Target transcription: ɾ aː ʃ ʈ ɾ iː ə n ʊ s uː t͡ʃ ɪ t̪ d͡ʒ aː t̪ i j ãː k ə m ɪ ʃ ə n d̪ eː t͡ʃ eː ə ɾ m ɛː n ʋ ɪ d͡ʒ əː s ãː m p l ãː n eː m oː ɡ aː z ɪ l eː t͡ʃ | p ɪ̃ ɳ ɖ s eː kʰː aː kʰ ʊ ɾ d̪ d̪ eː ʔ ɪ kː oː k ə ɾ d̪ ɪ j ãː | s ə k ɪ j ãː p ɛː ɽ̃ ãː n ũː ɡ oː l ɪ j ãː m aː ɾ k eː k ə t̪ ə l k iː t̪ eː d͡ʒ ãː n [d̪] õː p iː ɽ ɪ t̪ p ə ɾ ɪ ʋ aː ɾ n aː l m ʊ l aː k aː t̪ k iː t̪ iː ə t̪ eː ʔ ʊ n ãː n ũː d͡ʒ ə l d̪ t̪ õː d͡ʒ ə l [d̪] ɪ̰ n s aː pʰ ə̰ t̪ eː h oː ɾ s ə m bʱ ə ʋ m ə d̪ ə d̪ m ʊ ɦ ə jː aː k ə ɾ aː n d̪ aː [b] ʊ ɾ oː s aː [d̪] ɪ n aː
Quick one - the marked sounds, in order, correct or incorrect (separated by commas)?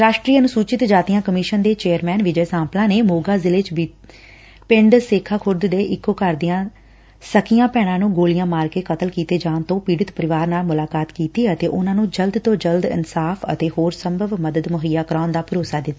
incorrect, correct, incorrect, correct